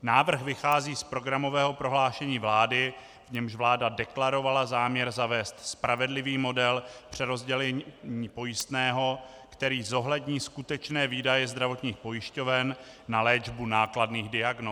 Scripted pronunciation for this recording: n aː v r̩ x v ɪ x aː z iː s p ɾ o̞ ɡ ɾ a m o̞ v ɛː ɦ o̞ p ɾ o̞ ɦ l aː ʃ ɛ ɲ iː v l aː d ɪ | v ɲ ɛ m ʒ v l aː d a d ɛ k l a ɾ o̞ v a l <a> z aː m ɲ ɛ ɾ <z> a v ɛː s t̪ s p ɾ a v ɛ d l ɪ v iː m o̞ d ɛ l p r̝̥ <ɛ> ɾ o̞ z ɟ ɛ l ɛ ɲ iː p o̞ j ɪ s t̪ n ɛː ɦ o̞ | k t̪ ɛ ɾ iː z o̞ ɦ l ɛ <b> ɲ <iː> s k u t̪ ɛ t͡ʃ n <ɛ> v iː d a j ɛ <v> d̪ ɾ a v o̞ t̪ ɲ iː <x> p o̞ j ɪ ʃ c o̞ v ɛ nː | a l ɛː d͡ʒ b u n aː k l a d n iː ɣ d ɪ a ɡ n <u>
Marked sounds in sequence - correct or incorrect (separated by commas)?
correct, correct, correct, incorrect, correct, incorrect, incorrect, correct, incorrect